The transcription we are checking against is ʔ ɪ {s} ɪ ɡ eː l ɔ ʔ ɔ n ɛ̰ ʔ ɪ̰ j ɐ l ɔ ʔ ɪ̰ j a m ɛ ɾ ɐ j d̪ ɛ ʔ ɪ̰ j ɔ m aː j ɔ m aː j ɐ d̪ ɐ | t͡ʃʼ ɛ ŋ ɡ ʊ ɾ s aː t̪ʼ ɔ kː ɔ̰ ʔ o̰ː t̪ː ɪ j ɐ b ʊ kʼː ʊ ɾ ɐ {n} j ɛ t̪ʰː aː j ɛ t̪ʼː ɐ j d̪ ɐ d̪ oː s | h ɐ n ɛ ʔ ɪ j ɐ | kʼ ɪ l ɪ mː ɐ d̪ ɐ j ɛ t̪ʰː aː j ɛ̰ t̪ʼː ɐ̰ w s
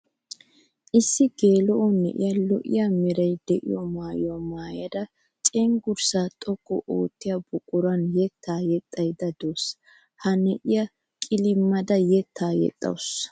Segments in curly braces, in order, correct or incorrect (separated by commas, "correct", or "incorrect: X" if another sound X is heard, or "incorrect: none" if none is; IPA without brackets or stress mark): incorrect: sː, correct